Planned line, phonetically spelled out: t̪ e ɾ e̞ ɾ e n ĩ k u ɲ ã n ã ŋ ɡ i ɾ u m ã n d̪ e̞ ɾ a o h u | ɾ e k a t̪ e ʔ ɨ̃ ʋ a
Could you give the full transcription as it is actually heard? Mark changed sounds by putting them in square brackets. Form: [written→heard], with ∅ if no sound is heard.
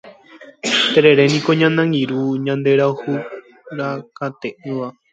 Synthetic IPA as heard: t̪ e ɾ e̞ ɾ e n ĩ k [u→o] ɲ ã n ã ŋ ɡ i ɾ u [m→ɲ] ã n d̪ e̞ ɾ a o h u | ɾ [e→a] k a t̪ e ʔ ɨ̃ ʋ a